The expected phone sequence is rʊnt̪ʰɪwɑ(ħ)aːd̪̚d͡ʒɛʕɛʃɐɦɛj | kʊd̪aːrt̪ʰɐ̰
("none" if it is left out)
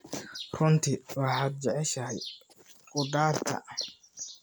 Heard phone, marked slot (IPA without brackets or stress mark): ħ